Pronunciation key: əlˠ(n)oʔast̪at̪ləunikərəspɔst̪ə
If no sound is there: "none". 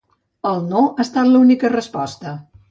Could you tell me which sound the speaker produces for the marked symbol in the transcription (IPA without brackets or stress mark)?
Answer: n